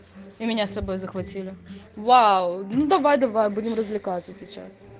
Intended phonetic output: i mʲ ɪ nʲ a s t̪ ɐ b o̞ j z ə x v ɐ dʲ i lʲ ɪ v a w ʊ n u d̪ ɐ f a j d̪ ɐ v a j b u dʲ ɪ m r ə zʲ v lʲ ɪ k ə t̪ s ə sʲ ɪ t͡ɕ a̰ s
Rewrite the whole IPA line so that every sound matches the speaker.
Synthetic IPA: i mʲ ɪ nʲ a s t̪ ɐ b o̞ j z ə x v ɐ tʲ i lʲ ɪ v a w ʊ n u d̪ ɐ v a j d̪ ɐ v a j b u dʲ ɪ m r ə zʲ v lʲ ɪ k a t̪ s ə sʲ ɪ t͡ɕ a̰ s

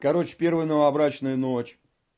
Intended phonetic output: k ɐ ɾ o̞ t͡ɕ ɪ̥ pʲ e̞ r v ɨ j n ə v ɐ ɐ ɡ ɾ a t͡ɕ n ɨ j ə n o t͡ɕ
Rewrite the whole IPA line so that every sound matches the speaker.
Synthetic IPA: k ɐ ɾ o̞ t͡ɕ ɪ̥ pʲ e̞ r v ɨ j n ə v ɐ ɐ b ɾ a t͡ɕ n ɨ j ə n o t͡ɕ

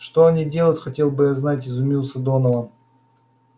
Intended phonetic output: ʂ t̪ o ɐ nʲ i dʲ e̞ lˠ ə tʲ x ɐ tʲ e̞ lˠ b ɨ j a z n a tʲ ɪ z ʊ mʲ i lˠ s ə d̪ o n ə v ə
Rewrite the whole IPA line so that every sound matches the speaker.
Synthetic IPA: ʂ t̪ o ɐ nʲ i dʲ e̞ lˠ ə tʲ x ɐ tʲ e̞ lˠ b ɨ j a z n a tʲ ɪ z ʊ mʲ i lˠ s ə d̪ o n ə v ə

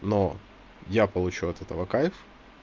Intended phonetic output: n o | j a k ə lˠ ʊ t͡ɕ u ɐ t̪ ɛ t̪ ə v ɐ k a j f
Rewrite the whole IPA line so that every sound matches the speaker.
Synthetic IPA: n o | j a p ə lˠ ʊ t͡ɕ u ɐ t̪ ɛ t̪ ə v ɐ k a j f

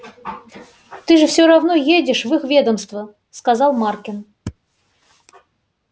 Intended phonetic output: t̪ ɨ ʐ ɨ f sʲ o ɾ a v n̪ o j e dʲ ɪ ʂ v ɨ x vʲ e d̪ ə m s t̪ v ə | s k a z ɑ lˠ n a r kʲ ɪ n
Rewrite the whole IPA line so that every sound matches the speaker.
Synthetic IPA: t̪ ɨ ʐ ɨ f sʲ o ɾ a v n̪ o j e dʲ ɪ ʂ v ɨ x vʲ e d̪ ə m s t̪ v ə | s k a z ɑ lˠ m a r kʲ ɪ n

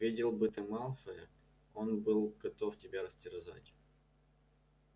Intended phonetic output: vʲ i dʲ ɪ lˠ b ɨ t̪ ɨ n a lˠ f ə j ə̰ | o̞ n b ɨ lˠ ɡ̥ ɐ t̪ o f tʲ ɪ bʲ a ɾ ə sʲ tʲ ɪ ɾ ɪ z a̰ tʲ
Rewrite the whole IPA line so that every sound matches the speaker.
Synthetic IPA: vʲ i dʲ ɪ lˠ b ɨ t̪ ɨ m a lˠ f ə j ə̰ | o̞ n b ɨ lˠ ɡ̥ ɐ t̪ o f tʲ ɪ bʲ a ɾ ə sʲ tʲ ɪ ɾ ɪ z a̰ tʲ

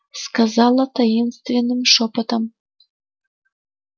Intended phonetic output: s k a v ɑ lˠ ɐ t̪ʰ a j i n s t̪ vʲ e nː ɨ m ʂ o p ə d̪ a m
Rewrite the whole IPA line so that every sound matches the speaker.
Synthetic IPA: s k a z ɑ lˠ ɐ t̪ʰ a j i n s t̪ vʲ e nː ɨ m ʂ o p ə t̪ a m

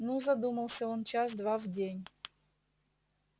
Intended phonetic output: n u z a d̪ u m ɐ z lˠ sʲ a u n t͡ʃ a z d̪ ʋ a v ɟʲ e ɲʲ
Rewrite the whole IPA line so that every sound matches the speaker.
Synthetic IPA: n u z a d̪ u m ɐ lˠ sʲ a ɔ n t͡ʃ a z d̪ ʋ a v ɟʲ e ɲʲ

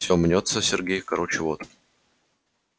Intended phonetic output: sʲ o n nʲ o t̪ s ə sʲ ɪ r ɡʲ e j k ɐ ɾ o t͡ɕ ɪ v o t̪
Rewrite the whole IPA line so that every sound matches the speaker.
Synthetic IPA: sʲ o m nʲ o t̪ s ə sʲ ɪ r ɡʲ e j k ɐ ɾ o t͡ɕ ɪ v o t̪

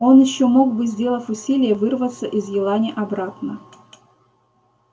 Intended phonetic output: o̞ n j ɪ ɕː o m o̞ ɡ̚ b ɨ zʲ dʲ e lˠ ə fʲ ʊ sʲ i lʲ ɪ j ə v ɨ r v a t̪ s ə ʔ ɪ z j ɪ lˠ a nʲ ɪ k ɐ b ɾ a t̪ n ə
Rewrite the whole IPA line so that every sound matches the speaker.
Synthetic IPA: o̞ n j ɪ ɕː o m o̞ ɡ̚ b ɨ zʲ dʲ e lˠ ə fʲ ʊ sʲ i lʲ ɪ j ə v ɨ r v ə t̪ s ə ʔ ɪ z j ɪ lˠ a nʲ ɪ ʔ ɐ b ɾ a t̪ n ə

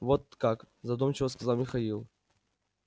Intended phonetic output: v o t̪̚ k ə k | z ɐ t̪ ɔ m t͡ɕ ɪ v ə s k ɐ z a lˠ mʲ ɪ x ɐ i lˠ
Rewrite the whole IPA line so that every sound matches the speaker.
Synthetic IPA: v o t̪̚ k a k | z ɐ d̪ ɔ m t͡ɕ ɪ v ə s k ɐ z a lˠ mʲ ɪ x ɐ i lˠ

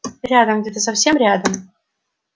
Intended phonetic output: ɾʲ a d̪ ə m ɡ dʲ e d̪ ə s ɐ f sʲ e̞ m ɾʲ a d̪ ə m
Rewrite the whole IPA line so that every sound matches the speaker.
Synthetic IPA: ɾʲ a d̪ ə m ɡ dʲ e t̪ ə s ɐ f sʲ e̞ m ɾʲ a d̪ ə m

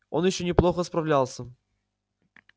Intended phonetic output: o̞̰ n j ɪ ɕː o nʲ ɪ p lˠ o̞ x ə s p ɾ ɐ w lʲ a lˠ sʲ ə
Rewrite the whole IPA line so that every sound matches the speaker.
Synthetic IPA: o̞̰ n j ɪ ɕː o nʲ ɪ p lˠ o̞ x ə s p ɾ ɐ v lʲ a lˠ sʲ ə

